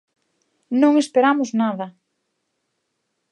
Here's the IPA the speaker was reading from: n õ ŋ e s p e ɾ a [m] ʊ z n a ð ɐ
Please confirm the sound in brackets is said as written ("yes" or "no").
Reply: yes